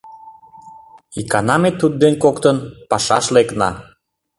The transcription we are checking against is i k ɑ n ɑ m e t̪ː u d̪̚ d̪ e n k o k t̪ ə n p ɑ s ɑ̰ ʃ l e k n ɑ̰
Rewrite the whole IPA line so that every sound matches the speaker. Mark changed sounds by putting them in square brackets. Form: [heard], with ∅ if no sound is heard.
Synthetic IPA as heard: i k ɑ n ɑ m e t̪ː u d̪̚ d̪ e n k o k t̪ ə n p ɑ [ʃ] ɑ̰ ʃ l e k n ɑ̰